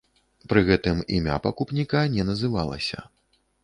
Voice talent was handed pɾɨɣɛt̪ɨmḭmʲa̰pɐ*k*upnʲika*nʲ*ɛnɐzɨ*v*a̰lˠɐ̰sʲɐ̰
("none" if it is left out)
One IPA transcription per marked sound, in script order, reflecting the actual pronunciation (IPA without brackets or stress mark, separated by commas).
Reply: k, nʲ, v